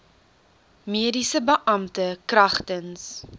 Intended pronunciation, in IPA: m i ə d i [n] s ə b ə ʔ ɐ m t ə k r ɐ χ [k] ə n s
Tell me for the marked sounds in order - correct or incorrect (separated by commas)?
incorrect, incorrect